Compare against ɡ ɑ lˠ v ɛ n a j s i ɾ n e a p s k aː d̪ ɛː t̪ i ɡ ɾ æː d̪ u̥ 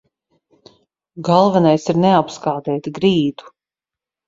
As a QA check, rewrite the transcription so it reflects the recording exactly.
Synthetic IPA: ɡ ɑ lˠ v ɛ n a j s i ɾ n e a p s k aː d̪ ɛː t̪ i ɡ ɾ iː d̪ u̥